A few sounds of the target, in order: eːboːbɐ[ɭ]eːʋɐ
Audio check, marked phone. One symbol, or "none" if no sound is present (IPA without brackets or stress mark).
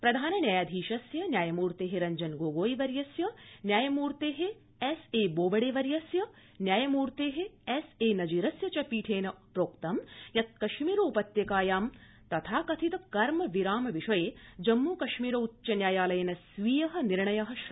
ɽ